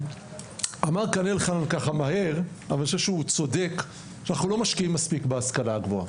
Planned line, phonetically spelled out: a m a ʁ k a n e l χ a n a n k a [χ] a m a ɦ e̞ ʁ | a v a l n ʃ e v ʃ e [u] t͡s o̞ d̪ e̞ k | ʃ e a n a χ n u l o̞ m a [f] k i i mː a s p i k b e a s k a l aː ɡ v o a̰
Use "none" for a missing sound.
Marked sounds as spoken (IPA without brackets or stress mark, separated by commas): χ, u, ʃ